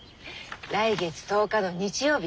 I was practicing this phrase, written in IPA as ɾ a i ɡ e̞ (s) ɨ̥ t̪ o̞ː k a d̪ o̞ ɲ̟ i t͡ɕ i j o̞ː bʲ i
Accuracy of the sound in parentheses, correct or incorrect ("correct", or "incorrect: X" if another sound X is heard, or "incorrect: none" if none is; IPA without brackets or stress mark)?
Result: incorrect: t͡s